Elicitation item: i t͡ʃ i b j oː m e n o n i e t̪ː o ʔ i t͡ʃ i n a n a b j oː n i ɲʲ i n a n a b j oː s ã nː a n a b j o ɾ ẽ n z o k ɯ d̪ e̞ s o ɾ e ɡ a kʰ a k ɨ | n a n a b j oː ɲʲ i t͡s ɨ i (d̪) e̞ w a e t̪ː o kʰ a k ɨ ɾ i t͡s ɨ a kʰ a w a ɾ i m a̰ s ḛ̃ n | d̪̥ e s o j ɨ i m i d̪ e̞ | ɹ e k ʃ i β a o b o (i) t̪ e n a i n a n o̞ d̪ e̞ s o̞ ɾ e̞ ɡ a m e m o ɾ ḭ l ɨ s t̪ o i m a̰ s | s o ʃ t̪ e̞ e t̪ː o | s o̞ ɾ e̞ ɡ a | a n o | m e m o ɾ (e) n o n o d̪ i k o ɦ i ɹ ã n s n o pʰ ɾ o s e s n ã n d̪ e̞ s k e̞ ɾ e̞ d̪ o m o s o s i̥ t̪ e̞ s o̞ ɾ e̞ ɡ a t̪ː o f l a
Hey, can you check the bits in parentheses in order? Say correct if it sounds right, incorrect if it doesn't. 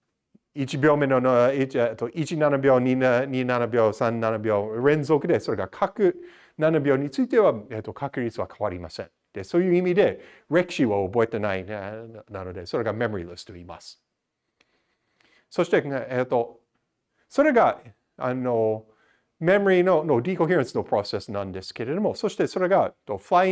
incorrect: t̪, incorrect: e, incorrect: i

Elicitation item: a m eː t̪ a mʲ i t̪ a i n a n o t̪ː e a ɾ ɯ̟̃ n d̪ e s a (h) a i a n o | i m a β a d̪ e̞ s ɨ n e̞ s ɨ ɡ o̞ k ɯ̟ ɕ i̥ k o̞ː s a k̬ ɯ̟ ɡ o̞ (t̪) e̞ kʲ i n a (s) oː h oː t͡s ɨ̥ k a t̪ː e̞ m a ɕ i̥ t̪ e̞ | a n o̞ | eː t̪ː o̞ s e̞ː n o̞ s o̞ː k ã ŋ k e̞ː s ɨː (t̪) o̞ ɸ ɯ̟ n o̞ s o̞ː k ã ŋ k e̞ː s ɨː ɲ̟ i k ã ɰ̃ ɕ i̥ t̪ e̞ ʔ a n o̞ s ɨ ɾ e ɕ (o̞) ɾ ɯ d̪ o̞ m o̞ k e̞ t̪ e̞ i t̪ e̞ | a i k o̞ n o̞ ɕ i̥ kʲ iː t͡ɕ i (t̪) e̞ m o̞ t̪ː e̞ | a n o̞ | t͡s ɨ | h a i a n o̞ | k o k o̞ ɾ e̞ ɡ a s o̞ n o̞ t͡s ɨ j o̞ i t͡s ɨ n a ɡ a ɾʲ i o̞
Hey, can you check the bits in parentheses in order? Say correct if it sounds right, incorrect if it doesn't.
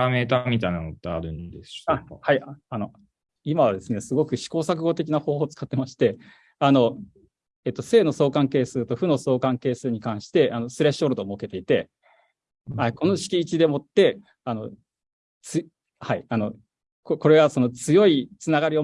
correct, correct, incorrect: h, correct, correct, incorrect: d̪

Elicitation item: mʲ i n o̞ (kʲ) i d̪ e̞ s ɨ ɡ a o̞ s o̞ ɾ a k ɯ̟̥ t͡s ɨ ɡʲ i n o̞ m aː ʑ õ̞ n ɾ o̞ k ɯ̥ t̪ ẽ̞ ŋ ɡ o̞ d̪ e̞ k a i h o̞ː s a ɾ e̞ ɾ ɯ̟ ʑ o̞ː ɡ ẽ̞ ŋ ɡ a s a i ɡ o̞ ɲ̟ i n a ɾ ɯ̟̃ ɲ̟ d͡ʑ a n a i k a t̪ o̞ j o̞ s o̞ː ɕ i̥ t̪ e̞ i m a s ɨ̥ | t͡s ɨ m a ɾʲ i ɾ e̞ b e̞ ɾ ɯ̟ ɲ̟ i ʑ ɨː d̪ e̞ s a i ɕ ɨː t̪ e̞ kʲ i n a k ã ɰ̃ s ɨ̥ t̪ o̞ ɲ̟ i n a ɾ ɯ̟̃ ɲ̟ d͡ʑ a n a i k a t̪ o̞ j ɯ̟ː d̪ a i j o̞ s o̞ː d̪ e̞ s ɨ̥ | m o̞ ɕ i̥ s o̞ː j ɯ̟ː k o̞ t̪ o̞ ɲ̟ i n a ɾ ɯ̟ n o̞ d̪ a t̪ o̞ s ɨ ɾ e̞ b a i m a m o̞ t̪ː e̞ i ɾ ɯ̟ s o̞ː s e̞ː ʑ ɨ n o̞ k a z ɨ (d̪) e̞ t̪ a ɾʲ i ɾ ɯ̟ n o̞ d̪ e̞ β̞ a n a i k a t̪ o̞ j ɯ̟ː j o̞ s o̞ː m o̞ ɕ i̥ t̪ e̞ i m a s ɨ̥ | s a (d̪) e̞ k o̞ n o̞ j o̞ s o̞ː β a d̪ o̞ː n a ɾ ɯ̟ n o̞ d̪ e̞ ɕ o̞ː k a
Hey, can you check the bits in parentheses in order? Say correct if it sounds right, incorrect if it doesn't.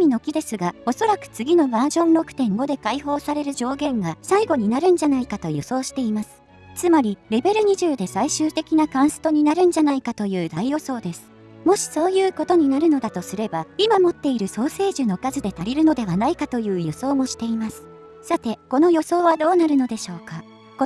correct, correct, incorrect: t̪

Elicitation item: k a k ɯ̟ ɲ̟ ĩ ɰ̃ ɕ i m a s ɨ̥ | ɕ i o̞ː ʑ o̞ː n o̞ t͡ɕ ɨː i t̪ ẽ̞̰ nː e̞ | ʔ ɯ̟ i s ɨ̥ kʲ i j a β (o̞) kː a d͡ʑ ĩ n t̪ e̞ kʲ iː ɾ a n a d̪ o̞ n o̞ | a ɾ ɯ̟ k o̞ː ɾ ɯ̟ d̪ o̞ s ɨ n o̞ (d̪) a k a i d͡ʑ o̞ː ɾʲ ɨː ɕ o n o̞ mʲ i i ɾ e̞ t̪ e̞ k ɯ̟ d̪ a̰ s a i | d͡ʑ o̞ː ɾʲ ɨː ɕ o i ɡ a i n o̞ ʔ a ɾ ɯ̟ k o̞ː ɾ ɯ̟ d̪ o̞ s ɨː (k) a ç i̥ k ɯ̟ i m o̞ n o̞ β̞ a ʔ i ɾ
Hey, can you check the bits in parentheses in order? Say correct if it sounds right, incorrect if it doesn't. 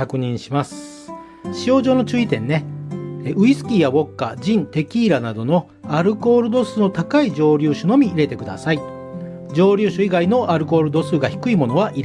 correct, incorrect: t̪, incorrect: ɡ

